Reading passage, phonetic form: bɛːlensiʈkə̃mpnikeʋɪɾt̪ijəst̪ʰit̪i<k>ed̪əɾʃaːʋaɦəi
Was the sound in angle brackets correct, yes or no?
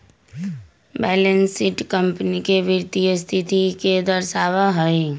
yes